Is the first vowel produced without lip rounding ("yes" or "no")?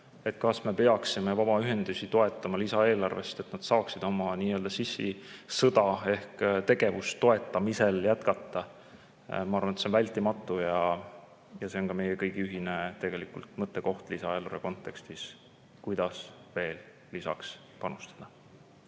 yes